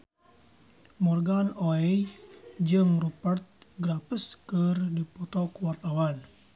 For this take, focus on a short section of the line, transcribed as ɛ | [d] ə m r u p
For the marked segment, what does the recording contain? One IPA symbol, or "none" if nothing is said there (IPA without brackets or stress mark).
d͡ʒ